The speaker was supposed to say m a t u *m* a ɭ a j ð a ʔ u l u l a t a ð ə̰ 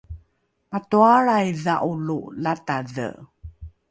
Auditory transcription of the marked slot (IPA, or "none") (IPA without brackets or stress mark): none